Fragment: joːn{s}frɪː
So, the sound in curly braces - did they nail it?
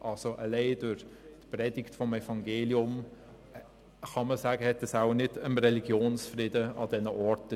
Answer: yes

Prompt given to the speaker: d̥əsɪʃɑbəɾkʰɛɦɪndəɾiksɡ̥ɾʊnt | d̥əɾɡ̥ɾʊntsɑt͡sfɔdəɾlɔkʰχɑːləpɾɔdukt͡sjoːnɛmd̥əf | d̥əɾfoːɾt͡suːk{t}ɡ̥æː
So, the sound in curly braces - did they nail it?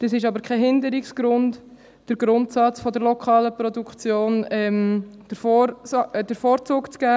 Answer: no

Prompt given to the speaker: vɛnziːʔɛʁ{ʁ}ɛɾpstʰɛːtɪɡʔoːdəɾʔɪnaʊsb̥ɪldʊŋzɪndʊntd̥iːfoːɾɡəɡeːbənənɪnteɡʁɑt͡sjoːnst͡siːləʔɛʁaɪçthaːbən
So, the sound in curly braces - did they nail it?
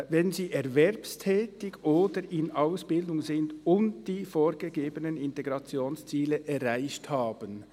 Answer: no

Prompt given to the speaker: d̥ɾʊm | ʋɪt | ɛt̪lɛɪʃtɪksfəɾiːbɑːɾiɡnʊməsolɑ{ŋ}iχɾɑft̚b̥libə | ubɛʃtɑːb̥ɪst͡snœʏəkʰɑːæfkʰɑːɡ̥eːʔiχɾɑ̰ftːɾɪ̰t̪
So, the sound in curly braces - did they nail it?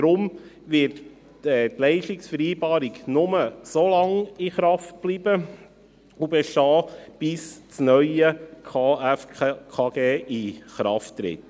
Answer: yes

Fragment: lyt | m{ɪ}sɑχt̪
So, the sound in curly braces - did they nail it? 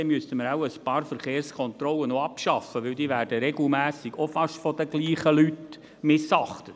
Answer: yes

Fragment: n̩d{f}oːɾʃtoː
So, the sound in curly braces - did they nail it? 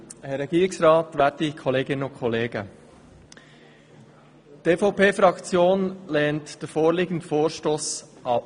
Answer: yes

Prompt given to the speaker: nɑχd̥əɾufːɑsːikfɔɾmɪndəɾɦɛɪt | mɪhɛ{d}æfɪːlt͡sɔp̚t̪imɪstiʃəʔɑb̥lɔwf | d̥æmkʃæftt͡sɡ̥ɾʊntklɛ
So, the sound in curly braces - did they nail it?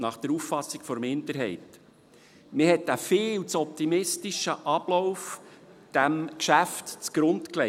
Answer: no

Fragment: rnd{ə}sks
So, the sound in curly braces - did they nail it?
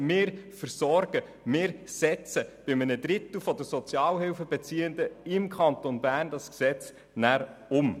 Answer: no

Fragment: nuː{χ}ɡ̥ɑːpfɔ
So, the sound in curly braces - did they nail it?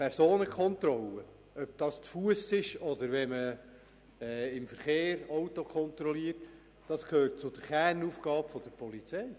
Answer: no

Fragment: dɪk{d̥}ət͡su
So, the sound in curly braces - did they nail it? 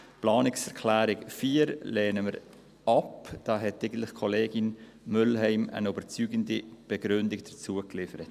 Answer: yes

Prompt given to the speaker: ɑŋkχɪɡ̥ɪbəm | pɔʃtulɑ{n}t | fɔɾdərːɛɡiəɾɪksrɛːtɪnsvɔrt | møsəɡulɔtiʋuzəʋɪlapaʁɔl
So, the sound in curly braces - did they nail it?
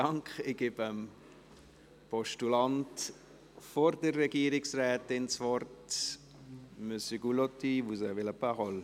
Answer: yes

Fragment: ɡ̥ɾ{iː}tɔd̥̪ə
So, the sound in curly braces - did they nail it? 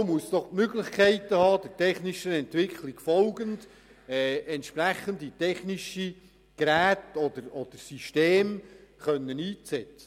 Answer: no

